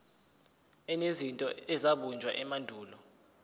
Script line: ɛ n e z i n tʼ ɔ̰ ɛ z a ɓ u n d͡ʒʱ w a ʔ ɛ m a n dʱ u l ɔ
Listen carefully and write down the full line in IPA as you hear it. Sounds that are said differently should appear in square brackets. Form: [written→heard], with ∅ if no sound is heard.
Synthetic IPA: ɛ n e z i n tʼ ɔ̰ ɛ z a ɓ u n d͡ʒʱ w a ʔ ɛ m a n dʱ [u→uː] l ɔ